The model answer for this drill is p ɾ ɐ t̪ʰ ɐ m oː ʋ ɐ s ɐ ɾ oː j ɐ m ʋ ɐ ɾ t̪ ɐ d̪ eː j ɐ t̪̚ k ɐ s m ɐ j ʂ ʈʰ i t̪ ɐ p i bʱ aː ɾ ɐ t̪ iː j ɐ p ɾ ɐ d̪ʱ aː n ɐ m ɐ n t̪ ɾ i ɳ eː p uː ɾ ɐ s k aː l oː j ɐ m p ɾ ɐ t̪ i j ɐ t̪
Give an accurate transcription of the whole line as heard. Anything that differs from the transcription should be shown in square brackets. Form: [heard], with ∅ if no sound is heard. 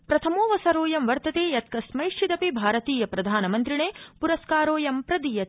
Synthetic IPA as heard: p ɾ ɐ t̪ʰ ɐ m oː ʋ ɐ s ɐ ɾ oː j ɐ m ʋ ɐ ɾ t̪ ɐ [t̪] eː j ɐ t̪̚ k ɐ s m ɐ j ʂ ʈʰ i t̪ ɐ p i bʱ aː ɾ ɐ t̪ iː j ɐ p ɾ ɐ d̪ʱ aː n ɐ m ɐ n t̪ ɾ i ɳ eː p [u] ɾ ɐ s k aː [ɾ] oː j ɐ m p ɾ ɐ [d̪] i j ɐ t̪